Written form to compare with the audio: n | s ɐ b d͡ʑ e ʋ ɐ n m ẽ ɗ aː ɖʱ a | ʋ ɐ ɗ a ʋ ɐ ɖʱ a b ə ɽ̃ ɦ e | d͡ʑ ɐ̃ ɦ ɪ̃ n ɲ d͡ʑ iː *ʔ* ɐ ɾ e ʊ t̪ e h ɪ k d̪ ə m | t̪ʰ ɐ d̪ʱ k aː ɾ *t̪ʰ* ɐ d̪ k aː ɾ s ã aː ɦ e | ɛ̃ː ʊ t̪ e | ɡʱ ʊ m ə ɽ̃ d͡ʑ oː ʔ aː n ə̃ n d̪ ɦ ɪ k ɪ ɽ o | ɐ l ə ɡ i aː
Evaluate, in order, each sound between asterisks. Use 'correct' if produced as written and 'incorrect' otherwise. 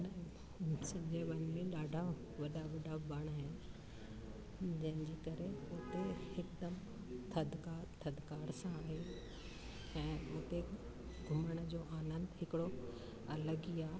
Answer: incorrect, correct

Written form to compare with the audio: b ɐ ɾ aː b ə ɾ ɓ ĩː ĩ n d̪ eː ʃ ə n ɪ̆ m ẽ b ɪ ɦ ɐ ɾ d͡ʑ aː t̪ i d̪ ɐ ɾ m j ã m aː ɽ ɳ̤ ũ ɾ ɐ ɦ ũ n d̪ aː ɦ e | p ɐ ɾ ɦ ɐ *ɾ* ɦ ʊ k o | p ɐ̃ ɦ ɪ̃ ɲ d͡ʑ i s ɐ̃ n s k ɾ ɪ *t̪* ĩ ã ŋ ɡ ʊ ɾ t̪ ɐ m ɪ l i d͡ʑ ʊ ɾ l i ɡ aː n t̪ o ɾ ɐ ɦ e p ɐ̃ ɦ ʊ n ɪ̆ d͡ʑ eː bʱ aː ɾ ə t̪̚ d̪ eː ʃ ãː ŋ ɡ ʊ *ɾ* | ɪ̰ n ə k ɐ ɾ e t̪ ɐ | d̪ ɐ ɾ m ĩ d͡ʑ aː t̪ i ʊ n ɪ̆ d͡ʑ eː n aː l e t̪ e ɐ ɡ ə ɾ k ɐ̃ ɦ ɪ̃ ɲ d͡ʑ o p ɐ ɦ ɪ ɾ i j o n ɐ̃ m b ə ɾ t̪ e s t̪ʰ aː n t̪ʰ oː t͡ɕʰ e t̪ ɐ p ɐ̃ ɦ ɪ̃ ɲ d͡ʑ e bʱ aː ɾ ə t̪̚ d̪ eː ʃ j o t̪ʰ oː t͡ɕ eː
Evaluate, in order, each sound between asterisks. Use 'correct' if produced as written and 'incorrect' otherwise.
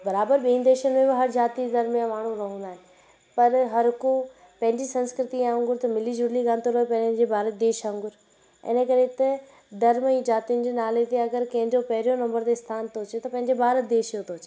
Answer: correct, correct, correct

